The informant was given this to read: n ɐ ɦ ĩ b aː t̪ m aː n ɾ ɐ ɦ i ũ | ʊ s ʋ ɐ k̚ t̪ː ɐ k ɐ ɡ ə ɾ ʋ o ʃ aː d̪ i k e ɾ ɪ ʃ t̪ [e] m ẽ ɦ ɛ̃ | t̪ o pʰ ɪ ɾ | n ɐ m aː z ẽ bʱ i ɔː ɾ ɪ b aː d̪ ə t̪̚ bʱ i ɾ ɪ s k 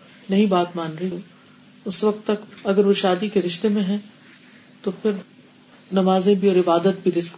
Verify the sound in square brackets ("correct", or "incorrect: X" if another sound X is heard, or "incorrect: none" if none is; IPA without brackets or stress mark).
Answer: correct